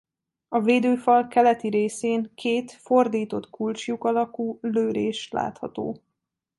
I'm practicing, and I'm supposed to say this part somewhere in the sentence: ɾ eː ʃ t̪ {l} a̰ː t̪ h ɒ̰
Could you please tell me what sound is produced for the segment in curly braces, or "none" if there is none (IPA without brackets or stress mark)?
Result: l